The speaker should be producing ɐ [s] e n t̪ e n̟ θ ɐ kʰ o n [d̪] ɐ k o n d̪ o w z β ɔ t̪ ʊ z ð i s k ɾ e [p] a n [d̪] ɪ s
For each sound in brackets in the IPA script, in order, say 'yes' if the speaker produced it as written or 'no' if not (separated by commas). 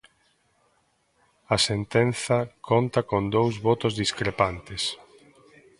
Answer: yes, no, yes, no